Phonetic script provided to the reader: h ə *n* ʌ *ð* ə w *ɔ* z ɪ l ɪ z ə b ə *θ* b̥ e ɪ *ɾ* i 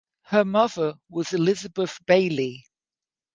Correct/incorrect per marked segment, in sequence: incorrect: m, correct, incorrect: ɒ, correct, incorrect: l

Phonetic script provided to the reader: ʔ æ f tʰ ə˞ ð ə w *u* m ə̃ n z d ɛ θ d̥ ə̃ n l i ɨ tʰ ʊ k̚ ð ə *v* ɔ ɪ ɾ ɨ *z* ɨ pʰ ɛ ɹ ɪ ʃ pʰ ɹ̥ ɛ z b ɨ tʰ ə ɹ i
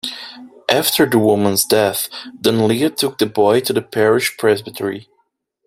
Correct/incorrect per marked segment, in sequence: incorrect: ʊ, incorrect: b, incorrect: ð

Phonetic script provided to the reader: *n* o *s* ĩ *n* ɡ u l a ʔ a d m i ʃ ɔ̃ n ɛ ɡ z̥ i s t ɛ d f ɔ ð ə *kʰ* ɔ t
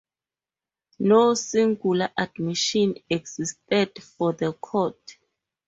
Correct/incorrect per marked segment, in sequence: correct, correct, incorrect: ŋ, correct

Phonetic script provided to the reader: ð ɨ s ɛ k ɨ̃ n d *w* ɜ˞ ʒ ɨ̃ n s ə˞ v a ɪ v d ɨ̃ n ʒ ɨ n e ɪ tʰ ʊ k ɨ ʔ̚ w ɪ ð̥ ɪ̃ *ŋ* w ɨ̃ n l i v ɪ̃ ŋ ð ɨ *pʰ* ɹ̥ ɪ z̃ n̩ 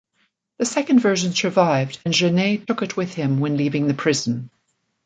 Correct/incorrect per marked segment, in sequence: incorrect: v, incorrect: m, correct

